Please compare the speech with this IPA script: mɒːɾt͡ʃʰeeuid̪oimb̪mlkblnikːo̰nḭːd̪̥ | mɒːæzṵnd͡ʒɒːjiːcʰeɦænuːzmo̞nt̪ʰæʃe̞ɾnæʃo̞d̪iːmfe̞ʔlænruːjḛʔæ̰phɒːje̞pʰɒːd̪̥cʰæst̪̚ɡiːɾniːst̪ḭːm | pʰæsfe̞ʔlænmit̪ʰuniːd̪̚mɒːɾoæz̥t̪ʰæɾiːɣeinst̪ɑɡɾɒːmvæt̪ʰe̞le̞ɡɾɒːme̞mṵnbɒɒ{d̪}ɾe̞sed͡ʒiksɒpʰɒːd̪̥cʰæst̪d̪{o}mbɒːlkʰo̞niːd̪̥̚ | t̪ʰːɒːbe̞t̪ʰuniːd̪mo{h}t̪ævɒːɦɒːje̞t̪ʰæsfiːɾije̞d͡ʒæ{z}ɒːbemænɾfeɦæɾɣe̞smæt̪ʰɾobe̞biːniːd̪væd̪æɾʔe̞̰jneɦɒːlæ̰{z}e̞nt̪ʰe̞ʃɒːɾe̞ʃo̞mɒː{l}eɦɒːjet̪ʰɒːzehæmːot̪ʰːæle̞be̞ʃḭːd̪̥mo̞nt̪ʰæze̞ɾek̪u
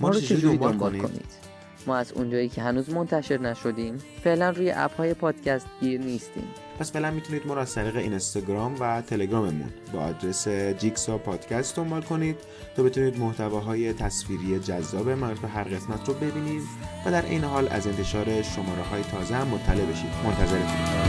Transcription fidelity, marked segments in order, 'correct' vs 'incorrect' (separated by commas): correct, correct, correct, incorrect, correct, incorrect